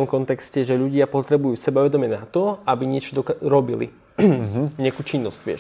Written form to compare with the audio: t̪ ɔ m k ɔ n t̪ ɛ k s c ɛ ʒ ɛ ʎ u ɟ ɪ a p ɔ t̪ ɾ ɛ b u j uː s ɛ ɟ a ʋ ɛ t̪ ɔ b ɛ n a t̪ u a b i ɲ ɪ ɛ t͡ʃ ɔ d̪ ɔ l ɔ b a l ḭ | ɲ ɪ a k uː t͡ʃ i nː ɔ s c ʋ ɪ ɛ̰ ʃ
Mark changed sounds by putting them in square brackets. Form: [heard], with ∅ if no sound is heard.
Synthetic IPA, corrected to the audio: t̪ ɔ m k ɔ n t̪ ɛ k s c ɛ ʒ ɛ ʎ u ɟ ɪ a p ɔ t̪ ɾ ɛ b u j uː s ɛ [b] a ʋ ɛ [d̪] ɔ [m] ɛ n a t̪ [ɔ] a b i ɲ ɪ ɛ t͡ʃ ɔ d̪ ɔ [ɾ] ɔ b [i] l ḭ | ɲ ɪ a k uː t͡ʃ i nː ɔ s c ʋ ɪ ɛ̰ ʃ